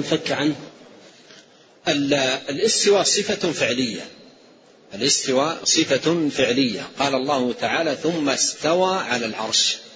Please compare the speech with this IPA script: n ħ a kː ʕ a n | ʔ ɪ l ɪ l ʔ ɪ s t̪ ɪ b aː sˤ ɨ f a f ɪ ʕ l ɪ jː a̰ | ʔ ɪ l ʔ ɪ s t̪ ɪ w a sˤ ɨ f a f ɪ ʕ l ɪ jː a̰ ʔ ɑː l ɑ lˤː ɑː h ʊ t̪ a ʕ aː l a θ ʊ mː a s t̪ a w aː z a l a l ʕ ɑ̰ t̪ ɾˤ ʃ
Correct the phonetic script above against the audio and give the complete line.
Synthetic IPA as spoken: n f a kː ʕ a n | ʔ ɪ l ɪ l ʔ ɪ s t̪ ɪ w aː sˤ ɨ f a f ɪ ʕ l ɪ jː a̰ | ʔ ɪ l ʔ ɪ s t̪ ɪ w a sˤ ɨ f a f ɪ ʕ l ɪ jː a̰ q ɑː l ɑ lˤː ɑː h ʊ t̪ a ʕ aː l a θ ʊ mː a s t̪ a w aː ʕ a l a l ʕ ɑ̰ ɾˤ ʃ